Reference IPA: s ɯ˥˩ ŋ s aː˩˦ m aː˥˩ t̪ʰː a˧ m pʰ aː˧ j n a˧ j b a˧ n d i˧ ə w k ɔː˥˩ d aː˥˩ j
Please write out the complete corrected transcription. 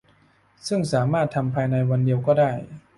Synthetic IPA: s ɯ˥˩ ŋ s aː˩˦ m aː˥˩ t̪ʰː a˧ m pʰ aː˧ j n a˧ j w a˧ n d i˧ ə w k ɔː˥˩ d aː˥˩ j